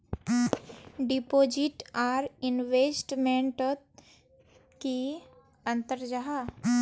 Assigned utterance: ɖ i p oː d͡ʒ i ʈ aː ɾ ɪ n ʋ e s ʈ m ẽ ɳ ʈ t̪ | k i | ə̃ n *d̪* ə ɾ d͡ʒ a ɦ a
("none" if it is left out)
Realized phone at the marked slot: t̪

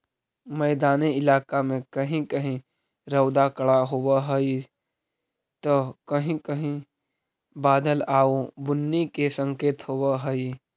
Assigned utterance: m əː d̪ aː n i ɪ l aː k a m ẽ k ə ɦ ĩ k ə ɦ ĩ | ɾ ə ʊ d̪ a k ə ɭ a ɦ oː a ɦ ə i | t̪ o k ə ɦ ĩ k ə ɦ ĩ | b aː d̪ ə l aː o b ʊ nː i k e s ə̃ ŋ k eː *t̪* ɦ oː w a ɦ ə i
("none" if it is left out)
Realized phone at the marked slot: t̪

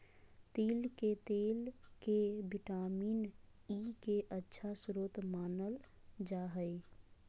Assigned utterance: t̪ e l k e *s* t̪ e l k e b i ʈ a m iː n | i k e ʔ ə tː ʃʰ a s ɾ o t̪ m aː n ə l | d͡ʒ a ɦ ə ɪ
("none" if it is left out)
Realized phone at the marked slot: none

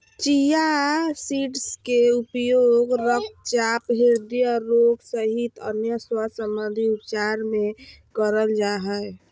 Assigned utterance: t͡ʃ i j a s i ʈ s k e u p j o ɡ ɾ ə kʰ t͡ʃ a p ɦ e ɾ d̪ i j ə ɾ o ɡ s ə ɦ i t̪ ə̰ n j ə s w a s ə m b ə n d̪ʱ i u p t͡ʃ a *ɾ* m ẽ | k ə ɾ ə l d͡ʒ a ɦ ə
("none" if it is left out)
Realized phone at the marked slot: ɾ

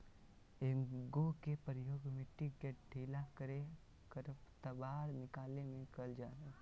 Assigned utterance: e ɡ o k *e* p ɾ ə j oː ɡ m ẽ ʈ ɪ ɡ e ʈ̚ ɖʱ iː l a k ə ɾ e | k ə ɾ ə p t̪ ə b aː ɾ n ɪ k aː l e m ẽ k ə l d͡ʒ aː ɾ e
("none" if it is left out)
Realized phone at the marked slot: e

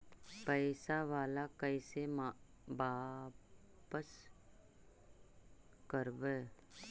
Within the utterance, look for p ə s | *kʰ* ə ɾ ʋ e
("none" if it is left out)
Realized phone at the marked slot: k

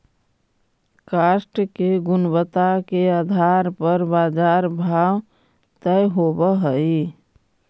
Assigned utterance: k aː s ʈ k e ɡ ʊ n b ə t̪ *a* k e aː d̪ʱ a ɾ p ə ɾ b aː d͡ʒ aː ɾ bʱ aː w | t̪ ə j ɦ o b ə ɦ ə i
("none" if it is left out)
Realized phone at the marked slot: a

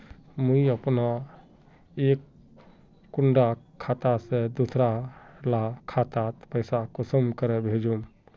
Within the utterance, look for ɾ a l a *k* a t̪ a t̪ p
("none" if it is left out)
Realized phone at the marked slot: kʰ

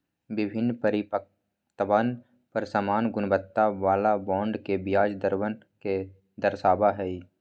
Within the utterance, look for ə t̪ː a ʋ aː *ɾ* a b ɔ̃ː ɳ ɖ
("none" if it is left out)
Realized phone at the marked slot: l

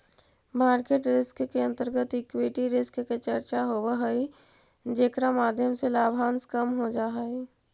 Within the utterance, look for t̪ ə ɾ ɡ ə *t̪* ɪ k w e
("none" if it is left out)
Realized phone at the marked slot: t̪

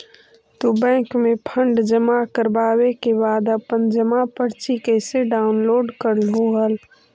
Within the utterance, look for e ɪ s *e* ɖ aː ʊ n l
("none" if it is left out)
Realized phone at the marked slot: e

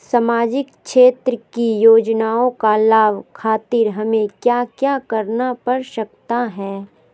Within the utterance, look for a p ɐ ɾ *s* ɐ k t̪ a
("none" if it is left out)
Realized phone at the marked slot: ʃ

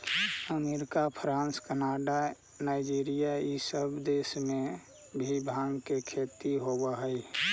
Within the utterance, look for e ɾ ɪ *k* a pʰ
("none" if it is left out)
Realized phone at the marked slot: k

